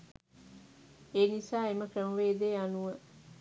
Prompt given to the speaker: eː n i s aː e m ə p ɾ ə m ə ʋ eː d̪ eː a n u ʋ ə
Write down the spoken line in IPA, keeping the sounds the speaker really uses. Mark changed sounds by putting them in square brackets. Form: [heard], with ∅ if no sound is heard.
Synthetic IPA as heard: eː n i s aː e m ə [k] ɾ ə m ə ʋ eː d̪ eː a n u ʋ ə